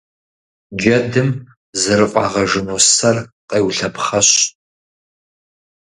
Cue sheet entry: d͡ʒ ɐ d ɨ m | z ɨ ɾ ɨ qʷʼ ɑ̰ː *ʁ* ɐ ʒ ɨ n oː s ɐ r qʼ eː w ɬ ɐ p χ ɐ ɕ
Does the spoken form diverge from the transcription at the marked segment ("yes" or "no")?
no